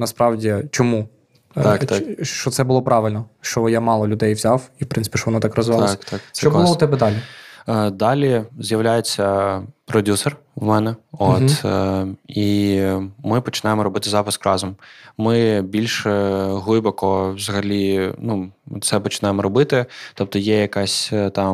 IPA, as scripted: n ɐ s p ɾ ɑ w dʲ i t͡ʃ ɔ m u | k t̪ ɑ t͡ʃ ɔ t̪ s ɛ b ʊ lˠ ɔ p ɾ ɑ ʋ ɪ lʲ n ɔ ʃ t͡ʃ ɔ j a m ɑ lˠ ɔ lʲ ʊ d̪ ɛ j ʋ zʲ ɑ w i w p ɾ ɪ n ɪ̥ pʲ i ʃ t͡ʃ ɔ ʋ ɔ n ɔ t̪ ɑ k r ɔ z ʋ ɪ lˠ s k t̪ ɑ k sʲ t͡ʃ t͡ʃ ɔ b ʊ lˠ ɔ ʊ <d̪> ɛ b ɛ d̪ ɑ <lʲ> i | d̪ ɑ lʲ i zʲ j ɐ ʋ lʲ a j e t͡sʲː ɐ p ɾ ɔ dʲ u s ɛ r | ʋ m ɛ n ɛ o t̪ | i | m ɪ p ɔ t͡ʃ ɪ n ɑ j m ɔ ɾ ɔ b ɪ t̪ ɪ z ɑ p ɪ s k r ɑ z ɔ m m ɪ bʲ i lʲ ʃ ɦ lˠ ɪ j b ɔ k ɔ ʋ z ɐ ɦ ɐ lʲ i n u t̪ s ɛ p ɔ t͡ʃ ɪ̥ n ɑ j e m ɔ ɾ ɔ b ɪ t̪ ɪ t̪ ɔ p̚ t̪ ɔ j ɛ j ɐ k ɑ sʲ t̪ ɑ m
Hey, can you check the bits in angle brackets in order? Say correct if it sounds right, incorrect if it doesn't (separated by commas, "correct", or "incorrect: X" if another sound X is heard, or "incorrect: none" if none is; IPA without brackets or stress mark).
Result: incorrect: t̪, correct